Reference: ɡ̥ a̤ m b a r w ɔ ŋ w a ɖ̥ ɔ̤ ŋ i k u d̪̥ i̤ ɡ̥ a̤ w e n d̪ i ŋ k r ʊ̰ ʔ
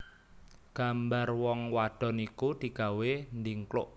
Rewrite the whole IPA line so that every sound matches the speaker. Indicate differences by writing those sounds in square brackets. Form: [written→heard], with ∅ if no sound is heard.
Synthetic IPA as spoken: ɡ̥ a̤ m b a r w ɔ ŋ w a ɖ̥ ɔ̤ [ŋ→n] i k u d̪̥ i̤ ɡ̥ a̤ w e n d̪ i ŋ k [r→l] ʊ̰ ʔ